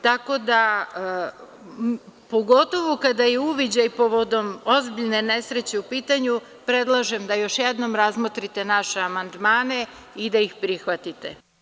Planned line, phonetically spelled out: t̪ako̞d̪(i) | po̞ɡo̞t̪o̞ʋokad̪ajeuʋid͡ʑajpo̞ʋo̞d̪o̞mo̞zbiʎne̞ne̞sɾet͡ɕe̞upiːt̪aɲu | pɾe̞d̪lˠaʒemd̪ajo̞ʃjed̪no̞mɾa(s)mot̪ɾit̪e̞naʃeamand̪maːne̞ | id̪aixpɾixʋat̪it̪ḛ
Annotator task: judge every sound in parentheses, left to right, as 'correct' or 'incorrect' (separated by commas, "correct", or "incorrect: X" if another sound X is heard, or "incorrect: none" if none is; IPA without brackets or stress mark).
incorrect: a, incorrect: z